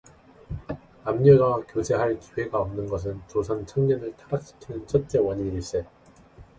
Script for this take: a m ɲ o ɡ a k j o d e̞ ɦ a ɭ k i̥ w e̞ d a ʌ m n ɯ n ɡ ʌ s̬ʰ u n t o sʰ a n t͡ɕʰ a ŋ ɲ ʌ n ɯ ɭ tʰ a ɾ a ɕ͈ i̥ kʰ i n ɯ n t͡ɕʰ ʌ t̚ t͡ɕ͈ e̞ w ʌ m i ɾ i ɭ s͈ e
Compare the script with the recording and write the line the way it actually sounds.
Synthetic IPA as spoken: a m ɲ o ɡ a k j o d͡ʑ e̞ ɦ a ɭ k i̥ w e̞ ɡ a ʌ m n ɯ n ɡ ʌ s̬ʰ ɯ n t͡ɕ o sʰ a n t͡ɕʰ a ŋ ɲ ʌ n ɯ ɭ tʰ a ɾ a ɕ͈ i̥ kʰ i n ɯ n t͡ɕʰ ʌ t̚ t͡ɕ͈ e̞ w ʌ ɲ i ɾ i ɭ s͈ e